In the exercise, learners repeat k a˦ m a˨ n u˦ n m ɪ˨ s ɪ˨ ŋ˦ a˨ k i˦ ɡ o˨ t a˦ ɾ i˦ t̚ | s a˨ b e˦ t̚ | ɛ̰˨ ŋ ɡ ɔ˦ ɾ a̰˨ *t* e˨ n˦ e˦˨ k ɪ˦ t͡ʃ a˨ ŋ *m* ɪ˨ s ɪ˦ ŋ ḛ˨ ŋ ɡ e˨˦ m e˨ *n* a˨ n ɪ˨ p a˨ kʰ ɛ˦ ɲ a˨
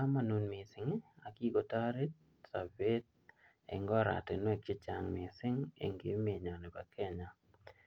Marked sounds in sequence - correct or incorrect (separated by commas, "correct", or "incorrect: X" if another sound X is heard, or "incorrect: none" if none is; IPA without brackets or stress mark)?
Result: correct, correct, incorrect: ɲ